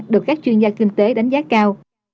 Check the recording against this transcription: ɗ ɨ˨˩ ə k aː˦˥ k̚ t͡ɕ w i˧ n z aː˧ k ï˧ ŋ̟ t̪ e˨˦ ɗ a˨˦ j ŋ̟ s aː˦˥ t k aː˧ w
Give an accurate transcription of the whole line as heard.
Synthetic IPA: ɗ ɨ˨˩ ə k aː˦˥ k̚ t͡ɕ w i˧ n z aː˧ k ï˧ ŋ̟ t̪ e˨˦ ɗ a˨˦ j ŋ̟ z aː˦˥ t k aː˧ w